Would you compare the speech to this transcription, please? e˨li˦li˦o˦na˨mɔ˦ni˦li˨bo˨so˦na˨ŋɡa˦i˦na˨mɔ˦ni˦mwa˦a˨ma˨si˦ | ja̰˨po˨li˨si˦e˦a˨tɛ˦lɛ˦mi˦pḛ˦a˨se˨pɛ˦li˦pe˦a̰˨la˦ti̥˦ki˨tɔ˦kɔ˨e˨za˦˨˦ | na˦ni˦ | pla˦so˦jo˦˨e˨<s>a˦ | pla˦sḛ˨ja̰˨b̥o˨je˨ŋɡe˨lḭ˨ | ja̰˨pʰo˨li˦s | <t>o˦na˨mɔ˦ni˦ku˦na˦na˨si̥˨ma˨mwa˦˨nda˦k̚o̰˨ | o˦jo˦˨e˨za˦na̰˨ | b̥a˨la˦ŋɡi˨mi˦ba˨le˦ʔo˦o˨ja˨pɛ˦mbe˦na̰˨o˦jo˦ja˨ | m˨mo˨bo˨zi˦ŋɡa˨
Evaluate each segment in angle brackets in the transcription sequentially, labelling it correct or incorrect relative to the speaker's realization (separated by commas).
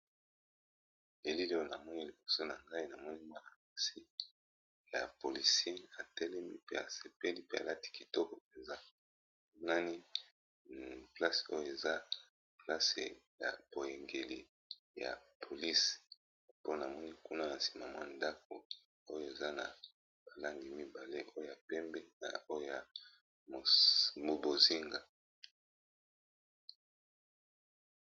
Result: incorrect, incorrect